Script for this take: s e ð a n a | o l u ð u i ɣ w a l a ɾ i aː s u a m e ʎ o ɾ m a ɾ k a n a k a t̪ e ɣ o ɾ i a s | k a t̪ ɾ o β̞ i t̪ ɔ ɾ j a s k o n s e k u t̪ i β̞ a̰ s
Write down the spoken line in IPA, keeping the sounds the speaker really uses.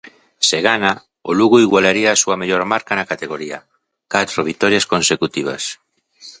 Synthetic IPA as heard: s e ɣ a n a | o l u ɣ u i ɣ w a l a ɾ i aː s u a m e ʎ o ɾ m a ɾ k a n a k a t̪ e ɣ o ɾ i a | k a t̪ ɾ o β̞ i t̪ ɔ ɾ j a s k o n s e k u t̪ i β̞ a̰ s